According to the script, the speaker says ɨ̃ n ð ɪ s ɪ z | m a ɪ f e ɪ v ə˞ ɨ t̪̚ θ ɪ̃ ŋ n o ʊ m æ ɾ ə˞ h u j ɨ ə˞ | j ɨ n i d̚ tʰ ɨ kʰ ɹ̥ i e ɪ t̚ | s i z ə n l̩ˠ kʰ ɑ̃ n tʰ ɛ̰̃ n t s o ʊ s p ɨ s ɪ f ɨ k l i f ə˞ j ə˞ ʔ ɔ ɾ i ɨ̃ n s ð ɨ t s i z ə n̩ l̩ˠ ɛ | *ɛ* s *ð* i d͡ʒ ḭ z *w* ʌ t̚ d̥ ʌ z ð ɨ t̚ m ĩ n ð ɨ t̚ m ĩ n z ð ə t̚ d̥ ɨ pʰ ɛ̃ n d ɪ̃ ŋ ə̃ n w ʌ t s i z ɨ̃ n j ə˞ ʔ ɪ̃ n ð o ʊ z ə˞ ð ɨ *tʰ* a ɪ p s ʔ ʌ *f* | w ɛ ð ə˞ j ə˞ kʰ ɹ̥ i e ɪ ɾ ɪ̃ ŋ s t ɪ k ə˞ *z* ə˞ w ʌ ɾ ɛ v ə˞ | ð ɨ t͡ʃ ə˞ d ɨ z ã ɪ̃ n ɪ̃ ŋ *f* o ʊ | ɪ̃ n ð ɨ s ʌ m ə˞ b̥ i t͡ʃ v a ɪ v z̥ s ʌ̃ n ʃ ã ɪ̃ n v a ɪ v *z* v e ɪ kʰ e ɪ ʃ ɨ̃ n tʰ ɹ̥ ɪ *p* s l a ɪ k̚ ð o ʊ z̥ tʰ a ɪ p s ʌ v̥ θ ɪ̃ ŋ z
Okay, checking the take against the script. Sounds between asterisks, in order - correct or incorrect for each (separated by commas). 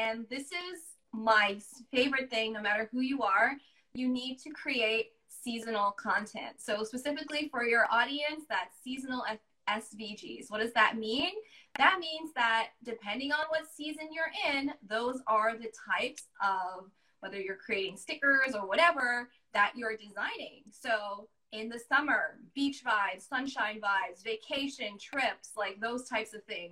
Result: correct, incorrect, correct, correct, incorrect, correct, incorrect, correct, correct